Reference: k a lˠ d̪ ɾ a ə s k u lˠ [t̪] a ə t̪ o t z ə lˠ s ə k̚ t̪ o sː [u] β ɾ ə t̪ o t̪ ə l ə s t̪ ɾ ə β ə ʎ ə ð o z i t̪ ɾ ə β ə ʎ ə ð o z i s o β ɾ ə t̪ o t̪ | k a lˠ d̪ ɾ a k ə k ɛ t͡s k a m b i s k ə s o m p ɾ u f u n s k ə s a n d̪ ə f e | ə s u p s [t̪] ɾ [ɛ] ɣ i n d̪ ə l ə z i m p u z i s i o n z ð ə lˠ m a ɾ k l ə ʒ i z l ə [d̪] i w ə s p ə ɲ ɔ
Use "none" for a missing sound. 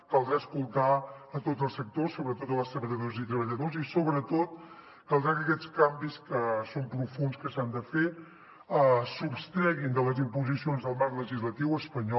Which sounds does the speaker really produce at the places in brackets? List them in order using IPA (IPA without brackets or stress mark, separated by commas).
t̪, o, t̪, ɛ, t̪